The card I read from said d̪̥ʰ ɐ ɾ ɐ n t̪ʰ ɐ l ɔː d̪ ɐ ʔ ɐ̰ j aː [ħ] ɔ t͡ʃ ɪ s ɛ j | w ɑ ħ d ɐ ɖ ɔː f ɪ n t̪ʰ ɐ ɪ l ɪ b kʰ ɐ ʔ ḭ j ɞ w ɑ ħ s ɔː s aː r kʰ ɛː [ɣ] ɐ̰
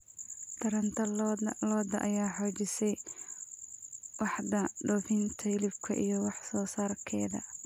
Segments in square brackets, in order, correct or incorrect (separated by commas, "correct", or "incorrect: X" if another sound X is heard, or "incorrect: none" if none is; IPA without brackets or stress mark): correct, incorrect: ð